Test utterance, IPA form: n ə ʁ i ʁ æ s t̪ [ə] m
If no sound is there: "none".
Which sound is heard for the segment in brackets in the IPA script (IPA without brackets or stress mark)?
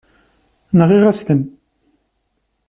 ə